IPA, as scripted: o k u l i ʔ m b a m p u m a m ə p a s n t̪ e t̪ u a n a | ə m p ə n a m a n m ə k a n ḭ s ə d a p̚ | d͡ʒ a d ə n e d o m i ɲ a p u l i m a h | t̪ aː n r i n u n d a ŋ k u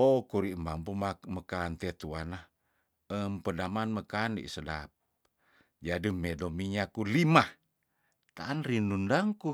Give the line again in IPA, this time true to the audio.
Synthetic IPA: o k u ɾ i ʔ m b a m p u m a m ə k a n t̪ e t̪ u a n a | ə m p ə d a m a n m ə k a n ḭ s ə d a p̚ | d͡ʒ a d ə m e d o m i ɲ a k u l i m a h | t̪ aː n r i n u n d a ŋ k u